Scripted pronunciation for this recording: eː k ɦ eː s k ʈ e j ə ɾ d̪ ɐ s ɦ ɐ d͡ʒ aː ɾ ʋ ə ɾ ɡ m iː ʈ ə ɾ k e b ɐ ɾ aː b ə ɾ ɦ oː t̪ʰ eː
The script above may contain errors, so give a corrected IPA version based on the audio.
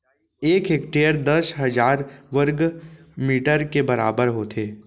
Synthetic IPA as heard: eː k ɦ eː k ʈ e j ə ɾ d̪ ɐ s ɦ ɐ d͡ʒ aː ɾ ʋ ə ɾ ɡ m iː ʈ ə ɾ k e b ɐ ɾ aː b ə ɾ ɦ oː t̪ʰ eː

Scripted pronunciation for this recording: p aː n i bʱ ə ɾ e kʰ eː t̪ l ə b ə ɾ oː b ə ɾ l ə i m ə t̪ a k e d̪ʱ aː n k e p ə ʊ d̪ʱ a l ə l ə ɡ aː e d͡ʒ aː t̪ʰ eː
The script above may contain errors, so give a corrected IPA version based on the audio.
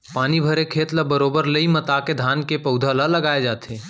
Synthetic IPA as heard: p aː n i bʱ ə ɾ e kʰ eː t̪ l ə b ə ɾ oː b ə ɾ l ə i m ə t̪ a k e d̪ʱ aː n k e p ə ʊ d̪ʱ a l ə l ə ɡ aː e d͡ʒ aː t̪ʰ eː

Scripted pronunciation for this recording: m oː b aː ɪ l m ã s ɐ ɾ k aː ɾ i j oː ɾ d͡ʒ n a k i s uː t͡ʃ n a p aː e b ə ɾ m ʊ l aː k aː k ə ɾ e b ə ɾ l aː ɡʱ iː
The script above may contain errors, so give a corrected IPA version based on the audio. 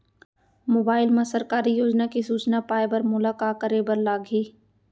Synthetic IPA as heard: m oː b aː ɪ l m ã s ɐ ɾ k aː ɾ i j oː d͡ʒ n a k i s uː t͡ʃ n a p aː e b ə ɾ m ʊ l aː k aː k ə ɾ e b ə ɾ l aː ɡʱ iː

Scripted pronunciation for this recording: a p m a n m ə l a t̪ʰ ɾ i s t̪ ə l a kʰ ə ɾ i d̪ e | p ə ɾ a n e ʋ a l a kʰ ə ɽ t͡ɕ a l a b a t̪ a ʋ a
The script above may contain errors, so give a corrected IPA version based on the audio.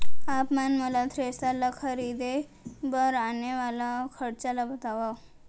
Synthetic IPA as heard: a p m a n m ə l a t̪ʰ ɾ e s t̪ a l a kʰ ə ɾ i d̪ e | b ə ɾ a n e ʋ a l a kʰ ə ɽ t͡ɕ a l a b ə t̪ a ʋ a

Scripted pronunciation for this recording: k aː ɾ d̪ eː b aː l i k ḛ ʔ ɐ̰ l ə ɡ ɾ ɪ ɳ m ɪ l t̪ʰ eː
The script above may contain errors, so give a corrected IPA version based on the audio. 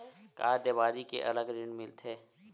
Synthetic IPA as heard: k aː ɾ d̪ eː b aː ɾ i k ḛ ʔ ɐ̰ l ə ɡ ɾ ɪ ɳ m ɪ l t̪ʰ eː

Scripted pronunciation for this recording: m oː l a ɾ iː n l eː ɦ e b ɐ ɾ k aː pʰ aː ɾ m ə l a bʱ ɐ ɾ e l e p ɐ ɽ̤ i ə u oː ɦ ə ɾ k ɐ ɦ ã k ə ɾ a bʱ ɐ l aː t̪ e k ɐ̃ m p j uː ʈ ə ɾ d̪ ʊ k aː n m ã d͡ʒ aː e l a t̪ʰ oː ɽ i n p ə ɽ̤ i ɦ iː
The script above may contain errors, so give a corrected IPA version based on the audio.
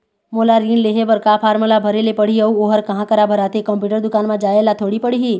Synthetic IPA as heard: m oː l a ɾ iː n l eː ɦ e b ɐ ɾ k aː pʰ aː ɾ m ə l a bʱ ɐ ɾ e l e p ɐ ɽ̤ i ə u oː ɦ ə ɾ k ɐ ɦ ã k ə ɾ a bʱ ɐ ɾ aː t̪ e k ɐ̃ m p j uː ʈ ə ɾ d̪ ʊ k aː n m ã d͡ʒ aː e l a t̪ʰ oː ɽ i p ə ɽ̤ i ɦ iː

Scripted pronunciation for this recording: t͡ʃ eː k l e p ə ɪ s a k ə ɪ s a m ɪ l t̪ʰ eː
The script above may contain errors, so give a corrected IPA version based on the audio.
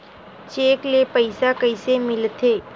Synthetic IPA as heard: t͡ʃ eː k l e p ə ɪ s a k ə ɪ s e m ɪ l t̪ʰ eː

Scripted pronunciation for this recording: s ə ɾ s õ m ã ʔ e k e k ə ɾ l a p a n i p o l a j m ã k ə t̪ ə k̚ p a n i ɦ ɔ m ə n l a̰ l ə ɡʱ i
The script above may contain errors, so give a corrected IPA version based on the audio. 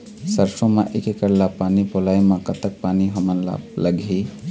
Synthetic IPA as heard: s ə ɾ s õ m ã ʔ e k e k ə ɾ l a p a n i p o l a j m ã k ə t̪ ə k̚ p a n i ɦ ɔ m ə n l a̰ l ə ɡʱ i

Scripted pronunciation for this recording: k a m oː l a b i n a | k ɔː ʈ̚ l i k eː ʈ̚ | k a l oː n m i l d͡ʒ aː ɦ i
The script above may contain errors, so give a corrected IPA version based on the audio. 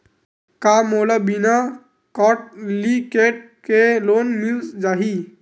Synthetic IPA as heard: k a m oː l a b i n a | k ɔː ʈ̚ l i k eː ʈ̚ | k e l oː n m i l d͡ʒ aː ɦ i

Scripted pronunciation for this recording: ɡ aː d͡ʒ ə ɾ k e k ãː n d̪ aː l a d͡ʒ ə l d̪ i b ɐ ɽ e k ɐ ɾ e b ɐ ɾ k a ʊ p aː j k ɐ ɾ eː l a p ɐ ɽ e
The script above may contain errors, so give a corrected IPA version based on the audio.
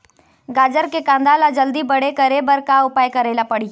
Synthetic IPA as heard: ɡ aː d͡ʒ ə ɾ k e k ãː n d̪ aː l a d͡ʒ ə l d̪ i b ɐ ɽ e k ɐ ɾ e b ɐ ɾ k a ʊ p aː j k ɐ ɾ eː l a p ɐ ɽ i

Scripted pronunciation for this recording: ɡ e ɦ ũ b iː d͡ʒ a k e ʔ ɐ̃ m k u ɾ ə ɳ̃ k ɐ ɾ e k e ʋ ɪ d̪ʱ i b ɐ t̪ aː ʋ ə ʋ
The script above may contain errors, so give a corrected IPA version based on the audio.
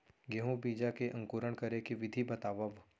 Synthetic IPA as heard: ɡ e ɦ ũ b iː d͡ʒ a k e ʔ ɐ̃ ŋ k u ɾ ə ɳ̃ k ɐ ɾ e k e ʋ ɪ d̪ʱ i b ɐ t̪ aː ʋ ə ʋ

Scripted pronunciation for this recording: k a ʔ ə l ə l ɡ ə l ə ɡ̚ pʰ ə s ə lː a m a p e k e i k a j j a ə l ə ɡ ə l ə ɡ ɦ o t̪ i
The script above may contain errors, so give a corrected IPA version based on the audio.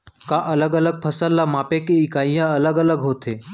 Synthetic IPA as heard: k a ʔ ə l ə ɡ ə l ə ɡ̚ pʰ ə s ə lː a m a p e k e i k a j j a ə l ə ɡ ə l ə ɡ ɦ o t̪ e

